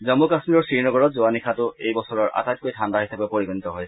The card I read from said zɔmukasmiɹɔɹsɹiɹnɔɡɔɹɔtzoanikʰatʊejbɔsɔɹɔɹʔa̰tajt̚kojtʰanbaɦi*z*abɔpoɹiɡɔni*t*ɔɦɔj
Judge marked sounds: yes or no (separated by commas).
no, yes